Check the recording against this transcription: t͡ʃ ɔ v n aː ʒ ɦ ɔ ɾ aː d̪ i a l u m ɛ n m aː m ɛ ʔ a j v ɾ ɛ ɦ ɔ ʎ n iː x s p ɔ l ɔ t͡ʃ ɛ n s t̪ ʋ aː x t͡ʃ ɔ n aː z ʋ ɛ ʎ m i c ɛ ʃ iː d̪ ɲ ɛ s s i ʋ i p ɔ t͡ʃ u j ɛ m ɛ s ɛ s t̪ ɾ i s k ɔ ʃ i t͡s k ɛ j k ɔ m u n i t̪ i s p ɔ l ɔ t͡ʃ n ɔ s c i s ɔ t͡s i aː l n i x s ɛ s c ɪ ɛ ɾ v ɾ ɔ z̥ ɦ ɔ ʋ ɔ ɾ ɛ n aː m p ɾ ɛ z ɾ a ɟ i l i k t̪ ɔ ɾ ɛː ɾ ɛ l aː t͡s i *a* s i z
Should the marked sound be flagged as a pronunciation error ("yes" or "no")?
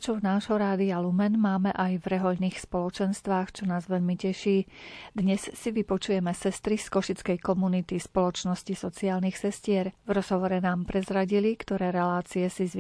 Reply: yes